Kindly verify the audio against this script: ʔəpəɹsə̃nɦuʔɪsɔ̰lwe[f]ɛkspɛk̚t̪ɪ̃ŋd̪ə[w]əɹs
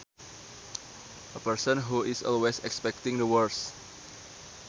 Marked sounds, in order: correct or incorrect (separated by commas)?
incorrect, correct